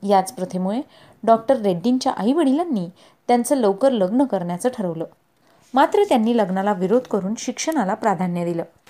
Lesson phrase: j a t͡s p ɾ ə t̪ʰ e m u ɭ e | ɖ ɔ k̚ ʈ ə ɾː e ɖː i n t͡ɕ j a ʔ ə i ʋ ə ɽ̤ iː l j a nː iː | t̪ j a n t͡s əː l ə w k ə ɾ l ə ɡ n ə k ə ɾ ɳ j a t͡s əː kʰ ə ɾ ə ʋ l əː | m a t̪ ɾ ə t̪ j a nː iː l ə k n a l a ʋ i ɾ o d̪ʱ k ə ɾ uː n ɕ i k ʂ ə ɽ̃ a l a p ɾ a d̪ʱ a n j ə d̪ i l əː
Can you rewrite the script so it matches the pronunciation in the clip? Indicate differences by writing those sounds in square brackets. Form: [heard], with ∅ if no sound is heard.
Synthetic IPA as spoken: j a t͡s p ɾ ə t̪ʰ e m u ɭ e | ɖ ɔ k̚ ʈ ə ɾː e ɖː i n t͡ɕ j a ʔ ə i ʋ ə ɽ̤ [i] l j a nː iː | t̪ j a n t͡s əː l ə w k ə ɾ l ə ɡ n ə k ə ɾ ɳ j a t͡s əː [ʈʰ] ə ɾ ə ʋ l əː | m a t̪ ɾ ə t̪ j a nː iː l ə [ɡ] n a l a ʋ i ɾ o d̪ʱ k ə ɾ uː n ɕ i k ʂ ə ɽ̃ a l a p ɾ a d̪ʱ a n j ə d̪ i l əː